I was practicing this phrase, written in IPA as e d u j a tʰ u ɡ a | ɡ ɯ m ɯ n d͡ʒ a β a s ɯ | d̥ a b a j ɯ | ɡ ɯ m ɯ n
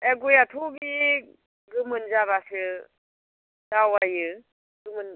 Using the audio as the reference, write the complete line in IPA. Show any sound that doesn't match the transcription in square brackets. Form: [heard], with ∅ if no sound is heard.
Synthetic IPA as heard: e [ɡ] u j a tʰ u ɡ [i] | ɡ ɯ m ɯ n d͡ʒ a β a s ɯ | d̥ a [w] a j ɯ | ɡ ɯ m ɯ n